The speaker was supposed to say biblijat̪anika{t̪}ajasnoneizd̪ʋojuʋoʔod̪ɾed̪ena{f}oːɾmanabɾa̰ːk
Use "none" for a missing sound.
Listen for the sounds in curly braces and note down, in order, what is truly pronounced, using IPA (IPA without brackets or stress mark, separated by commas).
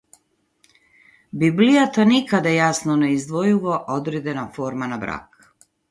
d̪, f